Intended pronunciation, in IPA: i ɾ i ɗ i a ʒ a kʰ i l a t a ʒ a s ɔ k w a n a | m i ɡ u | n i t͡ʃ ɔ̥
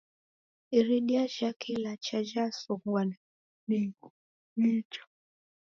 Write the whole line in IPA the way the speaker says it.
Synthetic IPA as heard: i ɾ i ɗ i a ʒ a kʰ i l a t͡ʃ a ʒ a s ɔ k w a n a | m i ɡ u | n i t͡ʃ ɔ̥